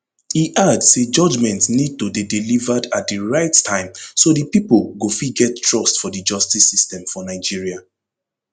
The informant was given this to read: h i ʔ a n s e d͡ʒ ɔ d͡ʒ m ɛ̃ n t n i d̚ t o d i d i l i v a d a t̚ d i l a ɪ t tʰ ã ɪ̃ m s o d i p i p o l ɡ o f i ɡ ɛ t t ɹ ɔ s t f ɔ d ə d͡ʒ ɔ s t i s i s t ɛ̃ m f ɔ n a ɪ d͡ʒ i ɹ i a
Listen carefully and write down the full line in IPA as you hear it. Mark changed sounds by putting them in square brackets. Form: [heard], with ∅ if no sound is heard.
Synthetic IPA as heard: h i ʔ a [d] s e d͡ʒ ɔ d͡ʒ m ɛ̃ n t n i d̚ t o d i d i l i v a d a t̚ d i [ɹ] a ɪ t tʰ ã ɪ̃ m s o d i p i p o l ɡ o f i ɡ ɛ t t ɹ ɔ s t f ɔ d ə d͡ʒ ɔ s t i s i s t ɛ̃ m f ɔ n a ɪ d͡ʒ i ɹ i a